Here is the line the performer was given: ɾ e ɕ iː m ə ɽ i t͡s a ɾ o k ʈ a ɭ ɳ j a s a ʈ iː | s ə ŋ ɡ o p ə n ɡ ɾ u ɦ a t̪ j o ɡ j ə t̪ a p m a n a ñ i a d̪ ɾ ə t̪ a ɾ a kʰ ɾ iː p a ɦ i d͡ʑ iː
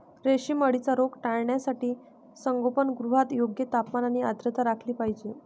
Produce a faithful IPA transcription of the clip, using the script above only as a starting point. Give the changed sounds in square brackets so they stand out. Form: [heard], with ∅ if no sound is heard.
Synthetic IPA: ɾ e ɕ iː m ə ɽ i t͡s a ɾ o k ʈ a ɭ ɳ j a s a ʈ iː | s ə ŋ ɡ o p ə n ɡ ɾ u ɦ a t̪ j o ɡ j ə t̪ a p m a n a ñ i a d̪ ɾ ə t̪ a ɾ a kʰ [l] iː p a ɦ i d͡ʑ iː